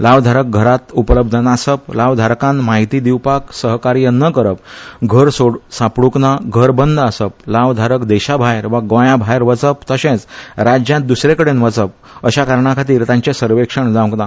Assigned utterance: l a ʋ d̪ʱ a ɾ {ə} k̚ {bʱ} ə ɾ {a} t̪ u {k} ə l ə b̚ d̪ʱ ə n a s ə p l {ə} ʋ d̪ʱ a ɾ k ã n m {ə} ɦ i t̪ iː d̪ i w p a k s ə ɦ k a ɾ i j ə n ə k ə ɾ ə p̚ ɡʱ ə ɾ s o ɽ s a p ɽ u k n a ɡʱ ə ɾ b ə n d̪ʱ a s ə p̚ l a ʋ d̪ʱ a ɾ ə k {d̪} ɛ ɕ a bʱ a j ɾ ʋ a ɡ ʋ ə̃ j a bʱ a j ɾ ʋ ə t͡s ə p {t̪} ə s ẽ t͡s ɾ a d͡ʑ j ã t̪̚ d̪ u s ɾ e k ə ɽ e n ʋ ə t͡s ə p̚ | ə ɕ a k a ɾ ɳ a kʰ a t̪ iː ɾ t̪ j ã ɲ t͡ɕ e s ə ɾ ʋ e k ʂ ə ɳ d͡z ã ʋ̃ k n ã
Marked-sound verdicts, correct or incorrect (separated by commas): correct, incorrect, correct, incorrect, incorrect, incorrect, correct, correct